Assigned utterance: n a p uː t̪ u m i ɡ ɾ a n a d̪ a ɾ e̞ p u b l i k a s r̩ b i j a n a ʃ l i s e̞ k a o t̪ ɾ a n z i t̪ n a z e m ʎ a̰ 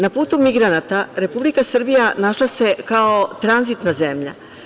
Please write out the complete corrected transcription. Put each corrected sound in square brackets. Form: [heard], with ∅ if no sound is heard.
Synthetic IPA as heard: n a p uː t̪ u m i ɡ ɾ a n a [t̪] a ɾ e̞ p u b l i k a s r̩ b i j a n a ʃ l [a] s e̞ k a o t̪ ɾ a n z i t̪ n a z e m ʎ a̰